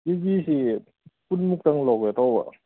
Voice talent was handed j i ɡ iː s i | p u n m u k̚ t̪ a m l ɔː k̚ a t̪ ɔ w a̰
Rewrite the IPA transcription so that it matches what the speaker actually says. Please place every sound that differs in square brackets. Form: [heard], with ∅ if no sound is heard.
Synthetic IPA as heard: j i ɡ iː s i | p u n m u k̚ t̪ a [ŋ] l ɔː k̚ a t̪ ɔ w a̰

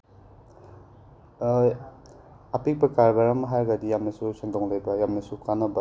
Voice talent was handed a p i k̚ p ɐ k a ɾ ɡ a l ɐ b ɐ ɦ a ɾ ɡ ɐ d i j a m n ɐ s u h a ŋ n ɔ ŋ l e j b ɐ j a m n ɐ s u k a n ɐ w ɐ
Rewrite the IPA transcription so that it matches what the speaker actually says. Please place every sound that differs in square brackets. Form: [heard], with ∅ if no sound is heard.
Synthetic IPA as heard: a p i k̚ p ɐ k a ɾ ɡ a [ɾ] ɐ [m] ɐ ɦ a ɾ ɡ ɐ d i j a m n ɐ s u [s] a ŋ [d] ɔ ŋ l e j b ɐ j a m n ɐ s u k a n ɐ [b] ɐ

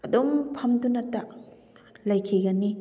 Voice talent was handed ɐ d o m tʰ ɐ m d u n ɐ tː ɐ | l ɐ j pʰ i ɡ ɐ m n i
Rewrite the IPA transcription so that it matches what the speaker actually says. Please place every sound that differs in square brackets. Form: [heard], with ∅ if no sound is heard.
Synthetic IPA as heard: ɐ d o m [pʰ] ɐ m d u n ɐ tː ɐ | l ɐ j [kʰ] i ɡ ɐ [∅] n i

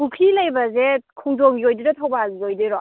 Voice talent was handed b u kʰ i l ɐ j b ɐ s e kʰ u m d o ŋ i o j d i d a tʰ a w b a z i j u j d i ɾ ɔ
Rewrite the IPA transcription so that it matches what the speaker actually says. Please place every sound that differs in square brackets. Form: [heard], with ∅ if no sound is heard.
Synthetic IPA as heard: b u kʰ i l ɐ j b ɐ [z] e kʰ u [ŋ] d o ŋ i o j d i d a tʰ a w b a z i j [o] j d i ɾ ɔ

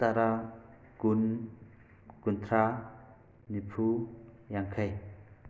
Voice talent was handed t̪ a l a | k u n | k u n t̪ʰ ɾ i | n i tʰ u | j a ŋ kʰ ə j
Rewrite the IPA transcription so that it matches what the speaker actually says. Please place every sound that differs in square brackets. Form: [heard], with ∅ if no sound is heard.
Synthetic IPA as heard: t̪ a [ɾ] a | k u n | k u n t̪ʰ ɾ [a] | n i [pʰ] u | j a ŋ kʰ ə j

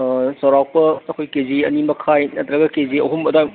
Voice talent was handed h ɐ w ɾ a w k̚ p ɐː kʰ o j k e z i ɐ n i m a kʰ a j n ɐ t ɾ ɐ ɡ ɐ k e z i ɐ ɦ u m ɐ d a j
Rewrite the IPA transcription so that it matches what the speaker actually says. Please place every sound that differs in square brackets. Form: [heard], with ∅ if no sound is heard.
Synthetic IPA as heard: [s] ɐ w ɾ a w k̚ p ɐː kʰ o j k e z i ɐ n i m [ɐ] kʰ a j n ɐ t ɾ ɐ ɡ ɐ k e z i ɐ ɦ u m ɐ d a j

